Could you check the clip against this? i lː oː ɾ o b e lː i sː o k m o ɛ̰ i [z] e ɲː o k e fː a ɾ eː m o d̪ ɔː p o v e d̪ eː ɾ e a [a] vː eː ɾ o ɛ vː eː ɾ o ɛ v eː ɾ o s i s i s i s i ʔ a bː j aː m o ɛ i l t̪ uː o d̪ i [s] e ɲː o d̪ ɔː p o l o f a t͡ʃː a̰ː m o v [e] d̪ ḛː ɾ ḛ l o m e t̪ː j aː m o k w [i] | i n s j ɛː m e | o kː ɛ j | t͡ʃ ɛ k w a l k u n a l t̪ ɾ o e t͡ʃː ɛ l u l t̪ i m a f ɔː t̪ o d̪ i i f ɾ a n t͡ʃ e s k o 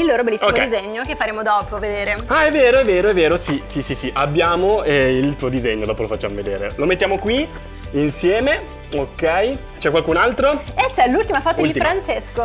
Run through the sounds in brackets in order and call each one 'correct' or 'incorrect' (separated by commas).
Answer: correct, incorrect, incorrect, correct, correct